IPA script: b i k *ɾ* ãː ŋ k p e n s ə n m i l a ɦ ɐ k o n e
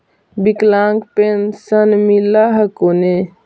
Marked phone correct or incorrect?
incorrect